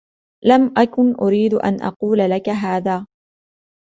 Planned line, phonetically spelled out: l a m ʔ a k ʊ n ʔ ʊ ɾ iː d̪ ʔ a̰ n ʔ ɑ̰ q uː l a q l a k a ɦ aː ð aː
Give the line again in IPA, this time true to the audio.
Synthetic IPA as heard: l a m ʔ a k ʊ n ʔ ʊ ɾ iː d̪ ʔ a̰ n ʔ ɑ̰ q uː l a l a k a ɦ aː ð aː

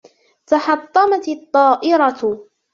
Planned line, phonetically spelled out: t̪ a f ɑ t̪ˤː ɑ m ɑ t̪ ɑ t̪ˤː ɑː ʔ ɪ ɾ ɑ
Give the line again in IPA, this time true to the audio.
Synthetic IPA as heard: t̪ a ħ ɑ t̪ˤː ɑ m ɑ t̪ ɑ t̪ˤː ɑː ʔ ɪ ɾ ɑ

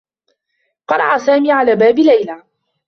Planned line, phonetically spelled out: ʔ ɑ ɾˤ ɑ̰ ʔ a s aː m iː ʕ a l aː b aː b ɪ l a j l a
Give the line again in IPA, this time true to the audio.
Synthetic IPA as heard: q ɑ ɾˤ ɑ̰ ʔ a s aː m iː ʕ a l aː b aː b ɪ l a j l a

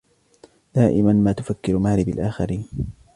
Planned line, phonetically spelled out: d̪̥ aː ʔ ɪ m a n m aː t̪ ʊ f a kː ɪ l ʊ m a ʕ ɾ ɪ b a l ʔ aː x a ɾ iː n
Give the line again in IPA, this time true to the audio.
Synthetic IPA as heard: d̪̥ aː ʔ ɪ m a n m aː t̪ ʊ f a kː ɪ ɾ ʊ m a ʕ ɾ ɪ b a l ʔ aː x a ɾ iː n

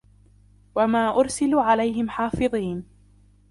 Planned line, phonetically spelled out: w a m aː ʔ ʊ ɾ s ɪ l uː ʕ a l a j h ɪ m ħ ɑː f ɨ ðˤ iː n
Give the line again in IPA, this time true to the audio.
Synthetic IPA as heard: w a m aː ʔ ʊ ɾ s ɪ l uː ʕ a l a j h ɪ m ħ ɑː f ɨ ðˤ iː n

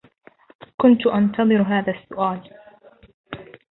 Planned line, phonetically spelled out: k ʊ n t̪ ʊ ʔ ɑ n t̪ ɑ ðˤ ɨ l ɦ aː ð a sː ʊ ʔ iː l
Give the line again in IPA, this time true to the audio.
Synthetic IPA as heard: k ʊ n t̪ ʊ ʔ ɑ n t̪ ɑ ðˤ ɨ ɾ ɦ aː ð a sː ʊ ʔ aː l

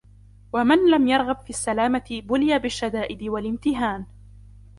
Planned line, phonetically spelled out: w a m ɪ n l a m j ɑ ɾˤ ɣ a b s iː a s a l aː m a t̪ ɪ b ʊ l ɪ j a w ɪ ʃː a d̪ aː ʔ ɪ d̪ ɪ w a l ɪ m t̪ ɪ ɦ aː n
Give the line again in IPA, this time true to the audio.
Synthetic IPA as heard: w a m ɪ n l a m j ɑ ɾˤ ɣ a b f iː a sː a l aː m a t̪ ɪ b ʊ l ɪ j a b ɪ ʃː a d̪ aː ʔ ɪ d̪ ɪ w a l ɪ m t̪ ɪ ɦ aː n

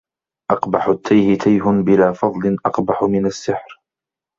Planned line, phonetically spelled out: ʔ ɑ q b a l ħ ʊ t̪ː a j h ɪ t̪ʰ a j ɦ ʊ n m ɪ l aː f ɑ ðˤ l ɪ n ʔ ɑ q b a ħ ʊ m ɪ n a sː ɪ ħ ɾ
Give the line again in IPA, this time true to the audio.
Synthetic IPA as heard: ʔ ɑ q b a ħ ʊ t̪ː a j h ɪ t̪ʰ a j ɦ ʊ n b ɪ l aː f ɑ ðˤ l ɪ n ʔ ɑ q b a ħ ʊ m ɪ n a sː ɪ ħ ɾ

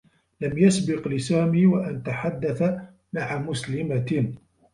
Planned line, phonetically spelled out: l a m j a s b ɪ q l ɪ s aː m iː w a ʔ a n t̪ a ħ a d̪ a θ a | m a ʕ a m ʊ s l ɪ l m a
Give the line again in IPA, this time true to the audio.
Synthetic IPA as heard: l a m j a s b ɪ q l ɪ s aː m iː w a ʔ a n t̪ a ħ a d̪ː a θ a | m a ʕ a m ʊ s l ɪ m a

